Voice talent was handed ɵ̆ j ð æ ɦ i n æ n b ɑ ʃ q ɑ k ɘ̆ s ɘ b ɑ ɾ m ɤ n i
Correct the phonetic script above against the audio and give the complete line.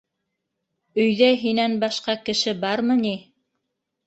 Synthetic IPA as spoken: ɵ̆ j ð æ ɦ i n æ n b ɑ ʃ q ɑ k ɘ̆ ʃ ɘ b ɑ ɾ m ɤ n i